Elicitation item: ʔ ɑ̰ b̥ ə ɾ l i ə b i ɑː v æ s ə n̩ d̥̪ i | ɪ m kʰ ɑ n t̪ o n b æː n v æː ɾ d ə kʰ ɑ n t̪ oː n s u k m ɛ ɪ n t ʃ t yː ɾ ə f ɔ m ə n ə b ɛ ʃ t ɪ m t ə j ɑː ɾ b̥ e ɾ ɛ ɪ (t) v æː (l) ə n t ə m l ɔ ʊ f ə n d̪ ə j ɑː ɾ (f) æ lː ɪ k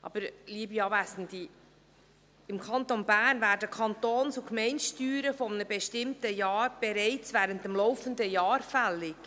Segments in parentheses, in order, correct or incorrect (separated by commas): incorrect, incorrect, correct